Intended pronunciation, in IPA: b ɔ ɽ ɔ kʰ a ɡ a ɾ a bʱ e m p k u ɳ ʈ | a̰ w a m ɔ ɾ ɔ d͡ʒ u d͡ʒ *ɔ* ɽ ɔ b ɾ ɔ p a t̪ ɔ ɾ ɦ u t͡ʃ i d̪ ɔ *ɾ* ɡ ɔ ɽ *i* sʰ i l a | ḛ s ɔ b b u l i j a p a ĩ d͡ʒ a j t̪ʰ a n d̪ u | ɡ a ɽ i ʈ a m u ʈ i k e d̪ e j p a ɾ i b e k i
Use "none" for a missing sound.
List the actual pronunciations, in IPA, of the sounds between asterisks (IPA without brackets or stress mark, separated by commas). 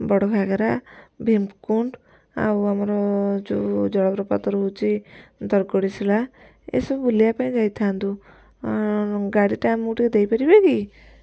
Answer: ɔ, ɾ, i